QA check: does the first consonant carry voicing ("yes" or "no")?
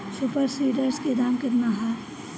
no